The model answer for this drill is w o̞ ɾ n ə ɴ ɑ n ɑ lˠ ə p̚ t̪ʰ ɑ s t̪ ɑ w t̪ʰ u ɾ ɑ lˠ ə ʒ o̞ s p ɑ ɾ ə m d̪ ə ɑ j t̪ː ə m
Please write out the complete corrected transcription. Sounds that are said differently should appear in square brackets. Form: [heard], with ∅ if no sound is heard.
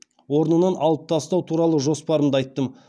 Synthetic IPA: w o̞ ɾ n ə [n] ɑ n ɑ lˠ ə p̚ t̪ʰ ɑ s t̪ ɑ w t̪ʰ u ɾ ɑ lˠ ə ʒ o̞ s p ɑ ɾ ə m d̪ ə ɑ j t̪ː ə m